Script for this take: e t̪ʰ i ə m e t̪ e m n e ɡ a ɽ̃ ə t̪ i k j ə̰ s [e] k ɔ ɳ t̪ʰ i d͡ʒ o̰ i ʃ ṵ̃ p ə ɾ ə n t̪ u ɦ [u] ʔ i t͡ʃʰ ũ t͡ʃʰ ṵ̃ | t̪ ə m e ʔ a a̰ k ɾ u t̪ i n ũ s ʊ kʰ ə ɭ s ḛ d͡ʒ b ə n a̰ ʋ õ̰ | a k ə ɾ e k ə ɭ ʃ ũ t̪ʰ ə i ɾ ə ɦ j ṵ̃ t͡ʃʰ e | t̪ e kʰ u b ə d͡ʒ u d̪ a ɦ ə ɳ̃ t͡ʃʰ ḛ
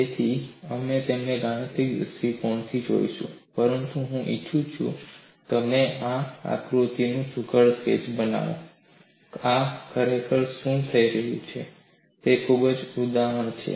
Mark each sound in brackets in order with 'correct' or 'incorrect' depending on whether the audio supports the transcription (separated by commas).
incorrect, incorrect